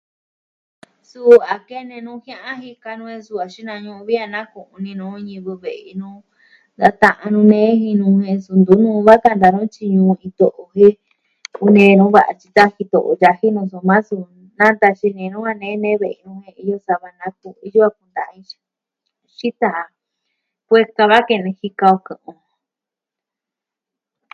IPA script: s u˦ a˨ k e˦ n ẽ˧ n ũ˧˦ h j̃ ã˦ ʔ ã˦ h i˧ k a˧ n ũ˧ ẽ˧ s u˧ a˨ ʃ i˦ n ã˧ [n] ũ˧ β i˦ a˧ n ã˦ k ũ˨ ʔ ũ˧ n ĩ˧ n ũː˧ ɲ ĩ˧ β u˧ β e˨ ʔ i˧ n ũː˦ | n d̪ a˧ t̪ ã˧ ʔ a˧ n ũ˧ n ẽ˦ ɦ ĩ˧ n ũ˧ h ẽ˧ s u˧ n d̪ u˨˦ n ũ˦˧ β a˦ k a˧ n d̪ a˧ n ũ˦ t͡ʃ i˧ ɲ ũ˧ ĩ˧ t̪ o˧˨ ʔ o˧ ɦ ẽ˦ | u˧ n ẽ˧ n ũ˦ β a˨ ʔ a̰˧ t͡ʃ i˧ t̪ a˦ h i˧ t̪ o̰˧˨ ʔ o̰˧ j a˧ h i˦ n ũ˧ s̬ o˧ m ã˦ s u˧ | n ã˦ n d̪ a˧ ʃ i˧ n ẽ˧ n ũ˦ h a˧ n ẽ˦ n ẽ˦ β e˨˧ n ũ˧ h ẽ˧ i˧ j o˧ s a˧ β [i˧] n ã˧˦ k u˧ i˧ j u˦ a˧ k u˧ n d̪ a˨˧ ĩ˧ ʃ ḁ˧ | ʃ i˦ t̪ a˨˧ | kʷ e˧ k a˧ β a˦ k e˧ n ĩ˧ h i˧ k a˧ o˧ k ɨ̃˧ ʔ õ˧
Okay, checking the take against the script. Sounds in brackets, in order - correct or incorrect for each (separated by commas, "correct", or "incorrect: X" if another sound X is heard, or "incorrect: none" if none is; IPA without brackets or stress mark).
incorrect: ɲ, incorrect: a˧